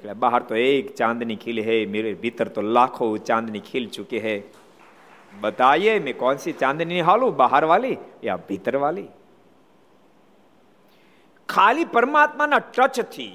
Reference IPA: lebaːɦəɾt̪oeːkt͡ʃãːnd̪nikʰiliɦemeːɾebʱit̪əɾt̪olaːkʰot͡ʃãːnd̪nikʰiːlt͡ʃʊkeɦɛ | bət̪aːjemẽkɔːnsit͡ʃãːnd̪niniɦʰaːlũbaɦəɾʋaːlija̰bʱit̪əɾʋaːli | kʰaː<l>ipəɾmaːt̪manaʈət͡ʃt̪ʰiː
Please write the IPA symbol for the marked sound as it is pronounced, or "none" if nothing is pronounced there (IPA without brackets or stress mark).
l